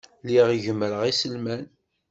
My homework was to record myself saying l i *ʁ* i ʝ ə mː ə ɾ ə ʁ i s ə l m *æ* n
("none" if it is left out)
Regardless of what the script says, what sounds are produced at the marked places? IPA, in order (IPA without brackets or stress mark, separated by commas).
ʁ, æ